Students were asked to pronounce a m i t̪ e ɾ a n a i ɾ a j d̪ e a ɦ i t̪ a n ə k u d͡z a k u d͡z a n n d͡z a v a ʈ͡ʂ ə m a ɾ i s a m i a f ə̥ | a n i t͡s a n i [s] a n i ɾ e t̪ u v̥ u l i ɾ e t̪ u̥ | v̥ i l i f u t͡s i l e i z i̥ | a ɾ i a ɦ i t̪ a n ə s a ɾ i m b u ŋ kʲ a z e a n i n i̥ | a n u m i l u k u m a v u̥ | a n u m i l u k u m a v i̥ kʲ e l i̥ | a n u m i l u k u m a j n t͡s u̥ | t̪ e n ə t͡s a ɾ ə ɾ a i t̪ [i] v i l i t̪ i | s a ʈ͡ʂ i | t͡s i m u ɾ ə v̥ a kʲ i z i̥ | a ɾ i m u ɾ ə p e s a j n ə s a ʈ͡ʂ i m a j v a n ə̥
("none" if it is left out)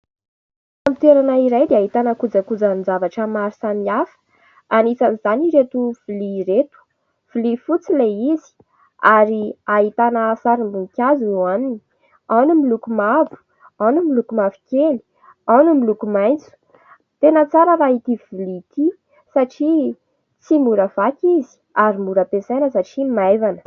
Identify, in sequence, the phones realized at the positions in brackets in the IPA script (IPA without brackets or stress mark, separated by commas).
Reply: z, i